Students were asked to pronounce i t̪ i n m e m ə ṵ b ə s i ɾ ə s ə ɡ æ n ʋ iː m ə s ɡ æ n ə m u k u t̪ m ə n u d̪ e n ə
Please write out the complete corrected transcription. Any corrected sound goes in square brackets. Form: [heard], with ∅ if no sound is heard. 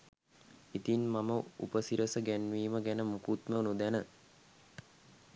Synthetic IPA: i t̪ i n m [a] m ə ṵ [p] ə s i ɾ ə s ə ɡ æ n ʋ iː m ə [∅] ɡ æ n ə m u k u t̪ m ə n u d̪ [æ] n ə